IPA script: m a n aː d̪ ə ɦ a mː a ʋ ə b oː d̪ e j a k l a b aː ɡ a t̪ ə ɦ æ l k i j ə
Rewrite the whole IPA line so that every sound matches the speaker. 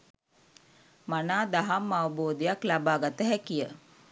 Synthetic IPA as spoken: m a n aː d̪ a ɦ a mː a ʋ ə b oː d̪ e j a k l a b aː ɡ a t̪ ə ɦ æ k i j ə